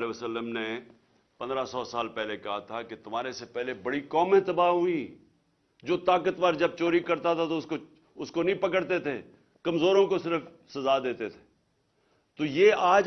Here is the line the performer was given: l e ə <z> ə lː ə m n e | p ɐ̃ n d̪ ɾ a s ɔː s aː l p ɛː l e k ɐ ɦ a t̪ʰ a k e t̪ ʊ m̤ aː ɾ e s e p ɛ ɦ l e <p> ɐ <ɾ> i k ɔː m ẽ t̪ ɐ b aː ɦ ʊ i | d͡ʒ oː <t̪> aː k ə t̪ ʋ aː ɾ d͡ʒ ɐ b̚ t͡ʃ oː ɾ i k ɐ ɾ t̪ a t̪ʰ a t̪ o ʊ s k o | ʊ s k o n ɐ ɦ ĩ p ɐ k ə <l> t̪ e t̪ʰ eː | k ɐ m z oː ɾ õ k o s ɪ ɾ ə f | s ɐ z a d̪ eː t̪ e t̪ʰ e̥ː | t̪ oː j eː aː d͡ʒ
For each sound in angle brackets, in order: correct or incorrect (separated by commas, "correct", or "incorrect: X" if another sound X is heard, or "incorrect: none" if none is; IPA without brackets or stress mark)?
incorrect: s, incorrect: b, incorrect: ɽ, correct, incorrect: ɽ